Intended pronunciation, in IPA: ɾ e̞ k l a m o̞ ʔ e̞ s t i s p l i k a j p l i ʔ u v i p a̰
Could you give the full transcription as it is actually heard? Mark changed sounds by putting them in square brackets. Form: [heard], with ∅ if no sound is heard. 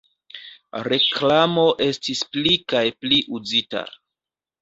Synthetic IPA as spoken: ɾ e̞ k l a m o̞ ʔ e̞ s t i s p l i k a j p l i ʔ u [z] i [t] a̰